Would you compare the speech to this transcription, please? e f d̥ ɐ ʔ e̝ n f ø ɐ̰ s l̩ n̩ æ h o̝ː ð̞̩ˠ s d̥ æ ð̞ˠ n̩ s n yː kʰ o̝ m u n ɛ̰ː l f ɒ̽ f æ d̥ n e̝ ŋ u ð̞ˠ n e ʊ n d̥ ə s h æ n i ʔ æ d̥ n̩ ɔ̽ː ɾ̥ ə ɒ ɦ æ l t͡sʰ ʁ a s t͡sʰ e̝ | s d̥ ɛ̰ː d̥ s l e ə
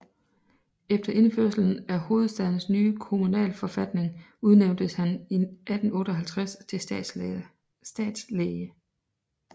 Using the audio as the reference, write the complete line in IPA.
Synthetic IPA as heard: e f d̥ ɐ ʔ e̝ n f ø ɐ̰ s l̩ n̩ æ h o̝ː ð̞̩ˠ s d̥ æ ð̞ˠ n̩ s n yː kʰ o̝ m u n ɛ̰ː l f ɒ̽ f æ d̥ n e̝ ŋ u ð̞ˠ n e ʊ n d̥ ə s h æ n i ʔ æ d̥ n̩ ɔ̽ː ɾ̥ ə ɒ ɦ æ l t͡sʰ ʁ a s t͡sʰ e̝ | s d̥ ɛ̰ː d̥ s l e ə